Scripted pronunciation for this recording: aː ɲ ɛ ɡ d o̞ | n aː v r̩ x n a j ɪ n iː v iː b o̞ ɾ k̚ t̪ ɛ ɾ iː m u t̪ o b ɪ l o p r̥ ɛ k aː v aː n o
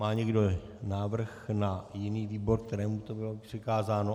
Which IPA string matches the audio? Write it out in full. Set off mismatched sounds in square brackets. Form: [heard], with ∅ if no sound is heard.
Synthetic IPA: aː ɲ ɛ ɡ d o̞ | n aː v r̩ x n a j ɪ n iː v iː b o̞ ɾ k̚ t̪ ɛ ɾ [ɛː] m u t̪ o b ɪ l o p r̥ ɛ k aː [z] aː n o

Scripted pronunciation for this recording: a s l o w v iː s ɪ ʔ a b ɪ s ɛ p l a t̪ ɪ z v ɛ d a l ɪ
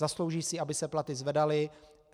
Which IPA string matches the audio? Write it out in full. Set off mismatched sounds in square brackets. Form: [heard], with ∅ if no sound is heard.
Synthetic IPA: a s l o w [ʒ] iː s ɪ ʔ a b ɪ s ɛ p l a t̪ ɪ z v ɛ d a l ɪ

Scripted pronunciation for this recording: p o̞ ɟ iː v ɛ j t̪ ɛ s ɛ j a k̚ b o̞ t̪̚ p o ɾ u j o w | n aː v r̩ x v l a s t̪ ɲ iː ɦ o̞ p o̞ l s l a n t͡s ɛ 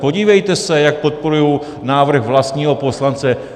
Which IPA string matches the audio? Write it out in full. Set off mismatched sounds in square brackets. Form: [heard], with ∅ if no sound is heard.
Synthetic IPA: p o̞ ɟ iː v ɛ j t̪ ɛ s ɛ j a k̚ [p] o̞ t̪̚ p o ɾ u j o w | n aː v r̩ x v l a s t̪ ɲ iː ɦ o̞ p o̞ [∅] s l a n t͡s ɛ

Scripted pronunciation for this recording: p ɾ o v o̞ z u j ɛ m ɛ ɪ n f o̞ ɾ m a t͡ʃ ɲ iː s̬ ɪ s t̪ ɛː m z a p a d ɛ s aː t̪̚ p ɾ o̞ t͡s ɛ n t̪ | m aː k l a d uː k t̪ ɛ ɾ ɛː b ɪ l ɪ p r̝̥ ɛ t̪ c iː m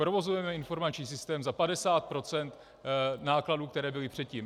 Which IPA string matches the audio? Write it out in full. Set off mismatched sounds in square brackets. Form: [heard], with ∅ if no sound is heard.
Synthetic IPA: p ɾ o v o̞ z u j ɛ m ɛ ɪ n f o̞ ɾ m a t͡ʃ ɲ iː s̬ ɪ s t̪ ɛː m z a p a d ɛ s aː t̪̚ p ɾ o̞ t͡s ɛ n t̪ | [n] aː k l a d uː k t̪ ɛ ɾ ɛː b ɪ l ɪ p r̝̥ ɛ t̪ c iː m

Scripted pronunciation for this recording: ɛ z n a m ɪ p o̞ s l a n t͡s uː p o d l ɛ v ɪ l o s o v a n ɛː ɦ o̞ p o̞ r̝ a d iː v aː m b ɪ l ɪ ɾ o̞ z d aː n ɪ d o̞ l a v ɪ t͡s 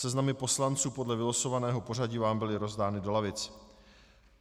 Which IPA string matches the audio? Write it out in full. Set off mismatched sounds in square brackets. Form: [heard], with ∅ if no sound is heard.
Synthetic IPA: ɛ z n a m ɪ p o̞ s l a n t͡s uː p o d l ɛ v ɪ l o s o v a n ɛː ɦ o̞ p o̞ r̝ a [ɟ] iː v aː m b ɪ l ɪ ɾ o̞ z d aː n ɪ d o̞ l a v ɪ t͡s

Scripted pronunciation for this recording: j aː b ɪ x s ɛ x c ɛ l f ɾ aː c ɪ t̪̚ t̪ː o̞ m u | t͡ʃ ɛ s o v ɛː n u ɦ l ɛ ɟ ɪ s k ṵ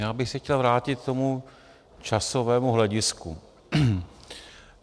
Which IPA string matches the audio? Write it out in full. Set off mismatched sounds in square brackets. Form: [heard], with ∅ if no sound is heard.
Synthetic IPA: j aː b ɪ x s ɛ x c ɛ l [v] ɾ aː c ɪ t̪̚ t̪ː o̞ m u | t͡ʃ [a] s o v ɛː [m] u ɦ l ɛ ɟ ɪ s k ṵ

